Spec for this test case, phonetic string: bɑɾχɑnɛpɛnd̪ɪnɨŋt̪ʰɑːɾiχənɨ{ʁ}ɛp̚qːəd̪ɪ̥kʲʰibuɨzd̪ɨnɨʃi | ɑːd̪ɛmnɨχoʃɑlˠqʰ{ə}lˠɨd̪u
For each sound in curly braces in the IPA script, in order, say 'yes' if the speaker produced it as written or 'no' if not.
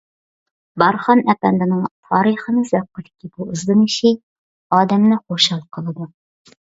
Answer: no, yes

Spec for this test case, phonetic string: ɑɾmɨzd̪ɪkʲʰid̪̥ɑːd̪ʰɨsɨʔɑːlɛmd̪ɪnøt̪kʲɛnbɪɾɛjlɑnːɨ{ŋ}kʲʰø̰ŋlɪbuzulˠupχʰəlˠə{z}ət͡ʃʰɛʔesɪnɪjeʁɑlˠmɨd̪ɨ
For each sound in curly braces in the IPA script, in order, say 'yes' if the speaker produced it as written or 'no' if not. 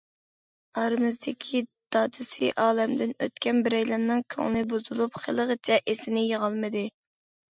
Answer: yes, no

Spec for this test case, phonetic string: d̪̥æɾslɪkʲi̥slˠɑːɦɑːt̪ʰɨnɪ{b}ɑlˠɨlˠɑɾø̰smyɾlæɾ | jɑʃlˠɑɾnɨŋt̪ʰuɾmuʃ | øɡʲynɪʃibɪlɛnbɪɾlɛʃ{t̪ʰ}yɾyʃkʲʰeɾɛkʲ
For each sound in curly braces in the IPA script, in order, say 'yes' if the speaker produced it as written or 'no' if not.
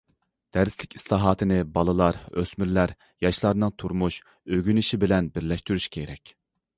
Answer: yes, no

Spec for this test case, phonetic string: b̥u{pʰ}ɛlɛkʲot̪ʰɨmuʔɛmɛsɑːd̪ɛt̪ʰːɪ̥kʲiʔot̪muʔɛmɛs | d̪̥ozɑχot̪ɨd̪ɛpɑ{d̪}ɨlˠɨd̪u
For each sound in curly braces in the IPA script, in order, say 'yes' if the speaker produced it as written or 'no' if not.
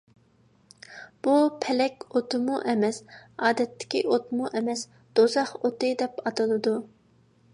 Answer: yes, no

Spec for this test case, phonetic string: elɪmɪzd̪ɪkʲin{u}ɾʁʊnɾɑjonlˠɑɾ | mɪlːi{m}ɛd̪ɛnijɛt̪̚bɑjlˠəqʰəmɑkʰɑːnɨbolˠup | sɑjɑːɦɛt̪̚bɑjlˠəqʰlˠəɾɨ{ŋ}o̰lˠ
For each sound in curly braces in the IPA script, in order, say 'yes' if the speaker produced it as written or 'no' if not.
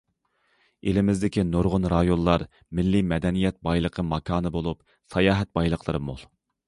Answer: no, yes, no

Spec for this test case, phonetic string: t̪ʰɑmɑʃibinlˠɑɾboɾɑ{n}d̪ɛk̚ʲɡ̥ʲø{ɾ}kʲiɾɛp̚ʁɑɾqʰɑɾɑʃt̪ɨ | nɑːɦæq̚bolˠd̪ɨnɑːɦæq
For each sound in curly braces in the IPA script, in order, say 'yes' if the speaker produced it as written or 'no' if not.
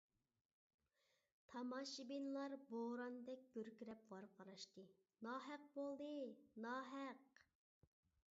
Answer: yes, yes

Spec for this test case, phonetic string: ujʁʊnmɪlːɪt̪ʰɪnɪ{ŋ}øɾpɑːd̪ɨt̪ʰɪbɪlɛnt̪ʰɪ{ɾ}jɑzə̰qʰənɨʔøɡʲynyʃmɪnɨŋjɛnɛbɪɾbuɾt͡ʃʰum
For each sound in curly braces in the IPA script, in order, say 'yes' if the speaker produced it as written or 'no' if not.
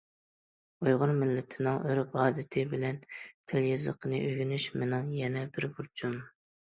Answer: yes, no

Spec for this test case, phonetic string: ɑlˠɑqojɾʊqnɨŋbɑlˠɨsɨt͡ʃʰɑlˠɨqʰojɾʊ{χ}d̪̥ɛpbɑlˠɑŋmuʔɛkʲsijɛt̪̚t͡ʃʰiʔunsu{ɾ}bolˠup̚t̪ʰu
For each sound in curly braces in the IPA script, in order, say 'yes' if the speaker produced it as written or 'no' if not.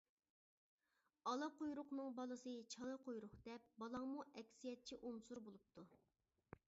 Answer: yes, yes

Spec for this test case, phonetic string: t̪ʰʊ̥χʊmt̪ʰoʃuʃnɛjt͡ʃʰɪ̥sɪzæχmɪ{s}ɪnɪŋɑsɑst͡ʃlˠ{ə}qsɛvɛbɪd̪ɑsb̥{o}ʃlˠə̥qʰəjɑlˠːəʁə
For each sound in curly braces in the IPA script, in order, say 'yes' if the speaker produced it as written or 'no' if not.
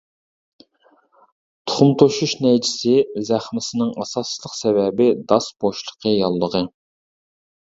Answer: yes, yes, yes

